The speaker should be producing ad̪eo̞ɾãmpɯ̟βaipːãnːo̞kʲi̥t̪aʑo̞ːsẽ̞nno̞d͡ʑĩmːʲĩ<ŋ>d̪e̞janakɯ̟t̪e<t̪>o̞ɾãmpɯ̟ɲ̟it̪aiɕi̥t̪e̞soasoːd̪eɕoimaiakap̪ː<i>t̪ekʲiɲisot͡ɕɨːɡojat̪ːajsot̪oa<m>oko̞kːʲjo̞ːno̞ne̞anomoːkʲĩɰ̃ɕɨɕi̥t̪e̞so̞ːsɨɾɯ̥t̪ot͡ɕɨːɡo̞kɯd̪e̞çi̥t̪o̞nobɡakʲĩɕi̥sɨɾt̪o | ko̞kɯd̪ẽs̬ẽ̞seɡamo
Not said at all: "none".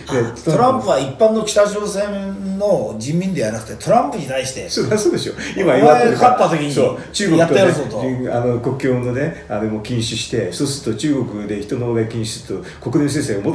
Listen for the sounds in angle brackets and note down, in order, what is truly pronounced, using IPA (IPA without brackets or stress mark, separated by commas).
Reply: n, t̪, a, n